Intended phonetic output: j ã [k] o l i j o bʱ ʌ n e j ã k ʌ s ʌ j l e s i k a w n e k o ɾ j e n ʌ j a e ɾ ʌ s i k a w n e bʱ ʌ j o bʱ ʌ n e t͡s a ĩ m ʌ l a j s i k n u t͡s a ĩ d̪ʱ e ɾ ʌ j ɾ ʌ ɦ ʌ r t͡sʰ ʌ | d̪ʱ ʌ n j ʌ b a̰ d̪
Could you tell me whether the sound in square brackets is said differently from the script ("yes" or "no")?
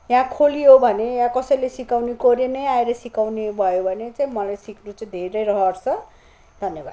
yes